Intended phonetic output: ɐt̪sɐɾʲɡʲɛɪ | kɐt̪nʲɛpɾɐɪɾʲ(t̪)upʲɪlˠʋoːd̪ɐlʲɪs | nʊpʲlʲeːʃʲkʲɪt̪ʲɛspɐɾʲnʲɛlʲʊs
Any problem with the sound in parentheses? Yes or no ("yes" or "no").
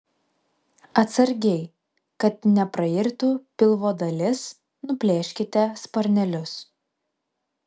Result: no